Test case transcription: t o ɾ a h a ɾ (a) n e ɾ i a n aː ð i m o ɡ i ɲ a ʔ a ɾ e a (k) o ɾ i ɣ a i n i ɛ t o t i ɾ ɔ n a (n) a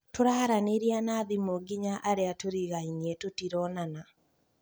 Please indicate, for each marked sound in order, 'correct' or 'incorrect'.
correct, incorrect, correct

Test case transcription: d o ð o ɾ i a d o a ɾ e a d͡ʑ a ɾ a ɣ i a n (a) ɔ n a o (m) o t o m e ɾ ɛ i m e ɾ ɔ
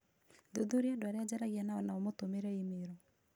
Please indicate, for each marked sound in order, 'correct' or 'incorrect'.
correct, correct

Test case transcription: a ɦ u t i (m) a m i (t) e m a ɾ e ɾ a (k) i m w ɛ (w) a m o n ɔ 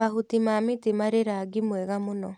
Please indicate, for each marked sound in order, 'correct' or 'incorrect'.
correct, correct, incorrect, incorrect

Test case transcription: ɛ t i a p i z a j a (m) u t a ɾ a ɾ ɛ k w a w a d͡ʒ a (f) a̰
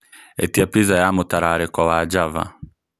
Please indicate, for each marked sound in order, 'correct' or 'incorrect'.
correct, incorrect

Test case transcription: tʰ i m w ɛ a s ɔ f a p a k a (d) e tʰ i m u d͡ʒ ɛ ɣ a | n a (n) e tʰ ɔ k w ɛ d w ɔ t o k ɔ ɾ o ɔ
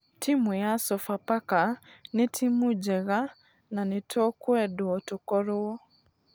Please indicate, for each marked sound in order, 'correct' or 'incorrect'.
incorrect, correct

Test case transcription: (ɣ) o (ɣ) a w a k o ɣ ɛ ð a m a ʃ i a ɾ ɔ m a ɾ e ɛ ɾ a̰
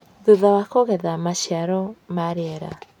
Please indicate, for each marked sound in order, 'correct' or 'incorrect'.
incorrect, incorrect

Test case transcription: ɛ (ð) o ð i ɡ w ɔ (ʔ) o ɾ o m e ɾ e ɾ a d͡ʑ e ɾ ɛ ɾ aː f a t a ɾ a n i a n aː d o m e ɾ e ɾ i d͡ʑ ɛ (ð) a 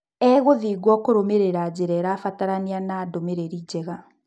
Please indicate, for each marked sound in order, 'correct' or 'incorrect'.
incorrect, incorrect, incorrect

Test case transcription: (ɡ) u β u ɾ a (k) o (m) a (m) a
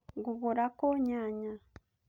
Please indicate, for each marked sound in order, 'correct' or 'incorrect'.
correct, correct, incorrect, incorrect

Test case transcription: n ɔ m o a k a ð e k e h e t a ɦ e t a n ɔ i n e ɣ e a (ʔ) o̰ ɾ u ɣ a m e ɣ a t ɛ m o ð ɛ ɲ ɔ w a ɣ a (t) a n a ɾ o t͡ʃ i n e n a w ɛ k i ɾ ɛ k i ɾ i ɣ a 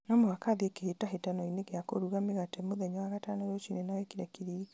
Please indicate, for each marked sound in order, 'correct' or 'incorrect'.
incorrect, correct

